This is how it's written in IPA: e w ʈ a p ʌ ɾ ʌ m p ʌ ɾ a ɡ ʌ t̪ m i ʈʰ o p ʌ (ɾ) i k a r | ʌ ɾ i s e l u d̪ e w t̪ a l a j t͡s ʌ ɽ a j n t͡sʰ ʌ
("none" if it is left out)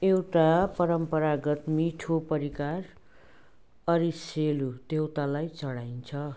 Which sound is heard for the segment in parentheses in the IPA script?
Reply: ɾ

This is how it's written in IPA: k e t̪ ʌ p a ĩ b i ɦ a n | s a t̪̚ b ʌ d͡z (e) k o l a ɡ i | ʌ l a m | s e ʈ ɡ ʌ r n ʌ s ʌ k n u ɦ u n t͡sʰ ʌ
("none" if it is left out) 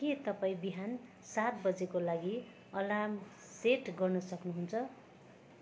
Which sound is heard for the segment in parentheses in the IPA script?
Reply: e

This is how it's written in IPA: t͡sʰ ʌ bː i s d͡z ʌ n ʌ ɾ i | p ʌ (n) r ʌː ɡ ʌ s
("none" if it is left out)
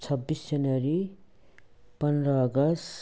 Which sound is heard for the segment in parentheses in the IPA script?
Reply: n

